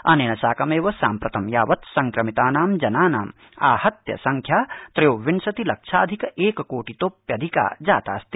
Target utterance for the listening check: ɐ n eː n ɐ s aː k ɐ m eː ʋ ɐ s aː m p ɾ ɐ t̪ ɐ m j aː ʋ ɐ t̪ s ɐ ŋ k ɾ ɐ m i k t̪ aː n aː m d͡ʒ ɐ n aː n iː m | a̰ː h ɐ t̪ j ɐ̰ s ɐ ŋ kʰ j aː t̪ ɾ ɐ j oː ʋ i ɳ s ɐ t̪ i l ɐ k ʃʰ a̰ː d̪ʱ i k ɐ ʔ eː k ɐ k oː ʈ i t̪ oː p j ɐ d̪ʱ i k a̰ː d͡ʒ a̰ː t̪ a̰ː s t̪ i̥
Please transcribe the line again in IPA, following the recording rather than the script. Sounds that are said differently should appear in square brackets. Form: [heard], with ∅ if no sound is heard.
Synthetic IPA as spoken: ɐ n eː n ɐ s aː k ɐ m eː ʋ ɐ s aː m p ɾ ɐ t̪ ɐ m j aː ʋ ɐ t̪ s ɐ ŋ k ɾ ɐ m i [∅] t̪ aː n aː m d͡ʒ ɐ n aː n [aː] m | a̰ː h ɐ t̪ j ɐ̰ s ɐ ŋ kʰ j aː t̪ ɾ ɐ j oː ʋ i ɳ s ɐ t̪ i l ɐ k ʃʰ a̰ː d̪ʱ i k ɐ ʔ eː k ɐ k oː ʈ i t̪ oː p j ɐ d̪ʱ i k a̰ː d͡ʒ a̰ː t̪ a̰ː s t̪ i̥

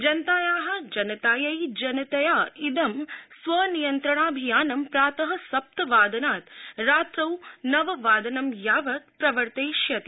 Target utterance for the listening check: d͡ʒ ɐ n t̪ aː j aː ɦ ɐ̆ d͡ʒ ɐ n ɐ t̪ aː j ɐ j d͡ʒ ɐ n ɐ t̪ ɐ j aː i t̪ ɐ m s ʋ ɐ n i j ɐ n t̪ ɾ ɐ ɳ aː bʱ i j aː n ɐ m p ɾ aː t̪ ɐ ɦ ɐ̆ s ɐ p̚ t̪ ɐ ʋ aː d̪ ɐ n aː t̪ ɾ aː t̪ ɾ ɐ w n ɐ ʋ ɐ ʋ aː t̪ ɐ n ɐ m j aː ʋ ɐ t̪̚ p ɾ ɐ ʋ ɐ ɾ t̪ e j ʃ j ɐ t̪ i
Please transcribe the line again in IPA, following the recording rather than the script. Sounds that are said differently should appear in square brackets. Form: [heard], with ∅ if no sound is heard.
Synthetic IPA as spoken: d͡ʒ ɐ n t̪ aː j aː ɦ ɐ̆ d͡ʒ ɐ n ɐ t̪ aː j ɐ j d͡ʒ ɐ n ɐ t̪ ɐ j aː i [d̪] ɐ m s ʋ ɐ n i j ɐ n t̪ ɾ ɐ ɳ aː bʱ i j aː n ɐ m p ɾ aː t̪ ɐ ɦ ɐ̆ s ɐ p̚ t̪ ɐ ʋ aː d̪ ɐ n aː t̪ ɾ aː t̪ ɾ ɐ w n ɐ ʋ ɐ ʋ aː [d̪] ɐ n ɐ m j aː ʋ ɐ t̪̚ p ɾ ɐ ʋ ɐ ɾ t̪ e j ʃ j ɐ t̪ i

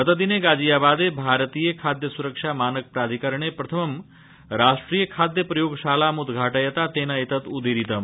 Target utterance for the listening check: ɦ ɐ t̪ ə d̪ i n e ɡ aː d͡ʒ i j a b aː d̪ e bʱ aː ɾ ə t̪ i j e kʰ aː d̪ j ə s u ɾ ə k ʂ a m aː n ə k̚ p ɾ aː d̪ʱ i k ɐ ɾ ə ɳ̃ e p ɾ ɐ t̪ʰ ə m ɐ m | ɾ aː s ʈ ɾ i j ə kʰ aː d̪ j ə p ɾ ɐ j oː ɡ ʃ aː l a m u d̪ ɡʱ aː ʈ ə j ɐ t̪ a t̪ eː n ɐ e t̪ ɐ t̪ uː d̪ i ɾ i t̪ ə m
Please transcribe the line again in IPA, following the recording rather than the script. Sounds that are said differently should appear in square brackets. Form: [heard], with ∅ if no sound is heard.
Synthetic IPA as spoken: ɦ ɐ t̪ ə d̪ i n e ɡ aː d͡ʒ i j a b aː d̪ e bʱ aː ɾ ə t̪ i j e kʰ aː d̪ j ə s u ɾ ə k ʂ a m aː n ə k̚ p ɾ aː d̪ʱ i k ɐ ɾ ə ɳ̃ e p ɾ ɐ t̪ʰ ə m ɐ m | ɾ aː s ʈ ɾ i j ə kʰ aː d̪ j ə p ɾ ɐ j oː ɡ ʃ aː l a m u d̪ ɡʱ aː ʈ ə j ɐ t̪ a t̪ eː n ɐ e t̪ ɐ t̪ [u] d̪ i ɾ i t̪ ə m

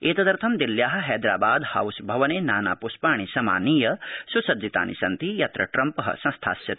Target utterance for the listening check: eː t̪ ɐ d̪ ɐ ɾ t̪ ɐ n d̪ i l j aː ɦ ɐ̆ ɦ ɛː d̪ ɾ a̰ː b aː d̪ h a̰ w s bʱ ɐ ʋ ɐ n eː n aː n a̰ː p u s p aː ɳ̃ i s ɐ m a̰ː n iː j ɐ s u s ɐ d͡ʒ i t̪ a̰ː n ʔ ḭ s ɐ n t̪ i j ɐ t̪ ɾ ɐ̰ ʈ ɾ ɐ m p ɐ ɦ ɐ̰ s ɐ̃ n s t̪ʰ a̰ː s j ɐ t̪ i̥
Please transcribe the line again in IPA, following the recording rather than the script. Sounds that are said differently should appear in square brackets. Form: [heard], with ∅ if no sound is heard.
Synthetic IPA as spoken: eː t̪ ɐ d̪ ɐ ɾ [t̪ʰ] ɐ [m] d̪ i l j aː ɦ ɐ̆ ɦ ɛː d̪ ɾ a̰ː b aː d̪ h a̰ w s bʱ ɐ ʋ ɐ n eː n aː n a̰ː p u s p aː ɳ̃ i s ɐ m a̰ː n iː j ɐ s u s ɐ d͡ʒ i t̪ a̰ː n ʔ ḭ s ɐ n t̪ i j ɐ t̪ ɾ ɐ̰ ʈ ɾ ɐ m p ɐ ɦ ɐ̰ s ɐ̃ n s t̪ʰ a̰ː s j ɐ t̪ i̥

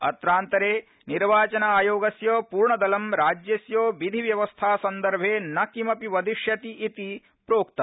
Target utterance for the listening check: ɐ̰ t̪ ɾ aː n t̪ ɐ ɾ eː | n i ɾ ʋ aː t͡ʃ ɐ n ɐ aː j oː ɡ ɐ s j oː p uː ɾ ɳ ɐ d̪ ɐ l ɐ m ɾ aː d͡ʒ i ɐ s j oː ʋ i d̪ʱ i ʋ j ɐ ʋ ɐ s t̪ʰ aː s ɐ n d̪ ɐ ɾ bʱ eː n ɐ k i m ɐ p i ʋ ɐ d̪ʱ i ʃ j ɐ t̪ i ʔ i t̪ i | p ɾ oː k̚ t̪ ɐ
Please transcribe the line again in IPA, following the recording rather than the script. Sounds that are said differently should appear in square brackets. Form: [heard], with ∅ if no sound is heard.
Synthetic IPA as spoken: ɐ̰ t̪ ɾ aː n t̪ ɐ ɾ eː | n i ɾ ʋ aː t͡ʃ ɐ n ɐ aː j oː ɡ ɐ s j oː p uː ɾ ɳ ɐ d̪ ɐ l ɐ m ɾ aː d͡ʒ [j] ɐ s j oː ʋ i d̪ʱ i ʋ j ɐ ʋ ɐ s t̪ʰ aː s ɐ n d̪ ɐ ɾ bʱ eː n ɐ k i m ɐ p i ʋ ɐ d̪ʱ i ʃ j ɐ t̪ i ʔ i t̪ i | p ɾ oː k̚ t̪ ɐ

